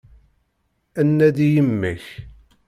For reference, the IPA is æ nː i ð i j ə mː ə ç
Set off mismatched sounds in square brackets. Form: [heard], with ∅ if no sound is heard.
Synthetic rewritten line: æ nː [æ] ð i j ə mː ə ç